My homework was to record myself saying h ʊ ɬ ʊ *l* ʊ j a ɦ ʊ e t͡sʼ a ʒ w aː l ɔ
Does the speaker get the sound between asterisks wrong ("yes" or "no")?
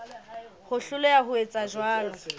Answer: no